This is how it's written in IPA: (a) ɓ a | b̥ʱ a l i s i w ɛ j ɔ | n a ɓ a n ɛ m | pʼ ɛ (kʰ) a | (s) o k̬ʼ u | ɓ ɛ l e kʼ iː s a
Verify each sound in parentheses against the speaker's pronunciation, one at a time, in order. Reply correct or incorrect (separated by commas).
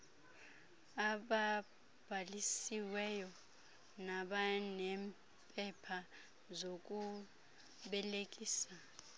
correct, incorrect, incorrect